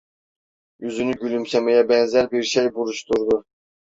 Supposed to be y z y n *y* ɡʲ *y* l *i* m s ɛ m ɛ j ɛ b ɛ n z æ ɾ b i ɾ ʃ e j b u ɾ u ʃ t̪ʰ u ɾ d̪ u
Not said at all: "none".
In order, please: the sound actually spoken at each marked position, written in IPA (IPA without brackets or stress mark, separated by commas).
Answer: y, y, y